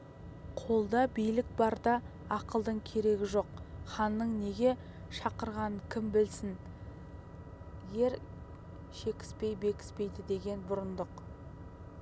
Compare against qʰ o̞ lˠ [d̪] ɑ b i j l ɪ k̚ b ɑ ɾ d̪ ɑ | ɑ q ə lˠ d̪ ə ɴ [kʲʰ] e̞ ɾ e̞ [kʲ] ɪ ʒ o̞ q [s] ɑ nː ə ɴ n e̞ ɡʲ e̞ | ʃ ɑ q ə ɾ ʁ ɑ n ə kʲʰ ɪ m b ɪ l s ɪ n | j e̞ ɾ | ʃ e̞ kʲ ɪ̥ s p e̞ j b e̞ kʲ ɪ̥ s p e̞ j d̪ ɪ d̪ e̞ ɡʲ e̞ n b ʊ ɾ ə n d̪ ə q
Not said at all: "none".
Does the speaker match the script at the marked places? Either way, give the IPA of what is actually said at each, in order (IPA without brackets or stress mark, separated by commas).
d̪, kʲʰ, ɡʲ, χ